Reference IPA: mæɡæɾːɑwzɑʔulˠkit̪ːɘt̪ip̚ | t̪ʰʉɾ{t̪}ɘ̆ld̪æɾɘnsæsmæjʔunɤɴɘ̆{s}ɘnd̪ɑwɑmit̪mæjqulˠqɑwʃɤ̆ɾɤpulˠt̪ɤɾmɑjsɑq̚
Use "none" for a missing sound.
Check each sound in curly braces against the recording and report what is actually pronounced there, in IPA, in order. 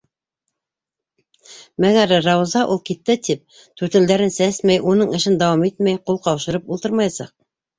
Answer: t̪, ʃ

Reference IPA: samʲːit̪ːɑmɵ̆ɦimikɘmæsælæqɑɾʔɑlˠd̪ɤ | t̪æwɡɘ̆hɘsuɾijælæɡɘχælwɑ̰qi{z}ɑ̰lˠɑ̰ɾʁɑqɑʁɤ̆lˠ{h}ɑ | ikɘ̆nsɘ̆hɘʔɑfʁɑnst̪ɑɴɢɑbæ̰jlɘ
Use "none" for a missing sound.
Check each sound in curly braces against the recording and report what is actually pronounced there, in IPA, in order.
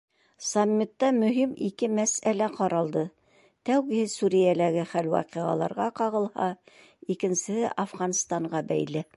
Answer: ʁ, h

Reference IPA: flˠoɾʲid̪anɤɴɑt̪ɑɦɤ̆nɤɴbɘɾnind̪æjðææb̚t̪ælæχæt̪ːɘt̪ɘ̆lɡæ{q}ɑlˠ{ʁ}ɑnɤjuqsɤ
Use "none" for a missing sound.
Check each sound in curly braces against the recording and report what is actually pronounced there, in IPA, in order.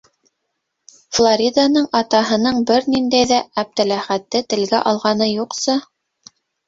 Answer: ʔ, ʁ

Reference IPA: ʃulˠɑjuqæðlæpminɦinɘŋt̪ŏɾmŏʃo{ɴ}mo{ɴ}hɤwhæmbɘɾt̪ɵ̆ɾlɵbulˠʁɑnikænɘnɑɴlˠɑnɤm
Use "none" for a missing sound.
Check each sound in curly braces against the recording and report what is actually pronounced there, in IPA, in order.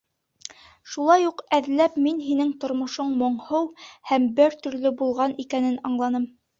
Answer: ɴ, ɴ

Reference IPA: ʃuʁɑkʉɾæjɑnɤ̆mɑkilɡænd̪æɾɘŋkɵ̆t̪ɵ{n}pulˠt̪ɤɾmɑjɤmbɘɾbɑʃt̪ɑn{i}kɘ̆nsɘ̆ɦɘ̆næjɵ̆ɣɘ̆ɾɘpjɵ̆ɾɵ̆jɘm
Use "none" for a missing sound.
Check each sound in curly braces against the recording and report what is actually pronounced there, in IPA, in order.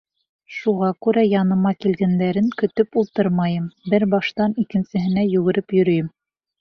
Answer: none, i

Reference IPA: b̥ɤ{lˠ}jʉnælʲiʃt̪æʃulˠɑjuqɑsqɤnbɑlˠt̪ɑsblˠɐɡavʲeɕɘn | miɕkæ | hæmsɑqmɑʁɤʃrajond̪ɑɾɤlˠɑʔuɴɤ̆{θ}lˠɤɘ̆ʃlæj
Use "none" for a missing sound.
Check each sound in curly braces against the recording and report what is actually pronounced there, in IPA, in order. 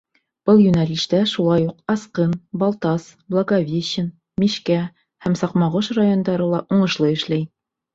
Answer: lˠ, ʃ

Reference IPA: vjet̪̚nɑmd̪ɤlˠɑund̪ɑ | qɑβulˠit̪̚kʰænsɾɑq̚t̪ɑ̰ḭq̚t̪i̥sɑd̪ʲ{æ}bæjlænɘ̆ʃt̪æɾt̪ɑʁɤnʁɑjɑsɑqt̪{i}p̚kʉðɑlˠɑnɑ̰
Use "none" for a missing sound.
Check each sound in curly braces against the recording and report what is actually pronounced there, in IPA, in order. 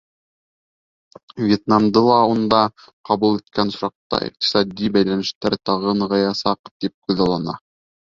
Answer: i, i

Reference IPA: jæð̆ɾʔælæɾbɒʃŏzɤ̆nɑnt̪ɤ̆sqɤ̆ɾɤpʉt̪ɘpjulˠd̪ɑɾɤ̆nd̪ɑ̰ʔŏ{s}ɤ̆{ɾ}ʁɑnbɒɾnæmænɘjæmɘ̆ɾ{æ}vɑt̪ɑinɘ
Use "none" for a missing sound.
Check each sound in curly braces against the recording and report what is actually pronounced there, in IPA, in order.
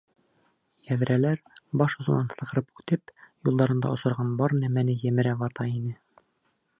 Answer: s, ɾ, æ

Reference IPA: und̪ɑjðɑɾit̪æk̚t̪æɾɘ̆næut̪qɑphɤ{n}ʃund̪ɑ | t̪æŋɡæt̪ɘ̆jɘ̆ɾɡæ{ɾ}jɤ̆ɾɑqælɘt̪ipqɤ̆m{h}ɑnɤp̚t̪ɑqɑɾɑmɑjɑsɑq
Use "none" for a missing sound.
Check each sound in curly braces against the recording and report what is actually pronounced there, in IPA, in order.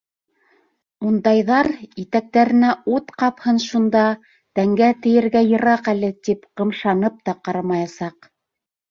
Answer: n, none, ʃ

